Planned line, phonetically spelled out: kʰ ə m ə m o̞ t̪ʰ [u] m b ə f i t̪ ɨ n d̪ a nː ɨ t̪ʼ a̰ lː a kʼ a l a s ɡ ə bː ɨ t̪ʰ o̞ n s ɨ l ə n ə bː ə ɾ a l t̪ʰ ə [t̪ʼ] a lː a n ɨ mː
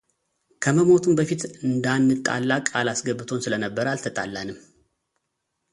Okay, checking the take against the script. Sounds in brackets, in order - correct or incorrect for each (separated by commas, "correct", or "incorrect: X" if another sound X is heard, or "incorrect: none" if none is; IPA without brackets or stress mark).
correct, correct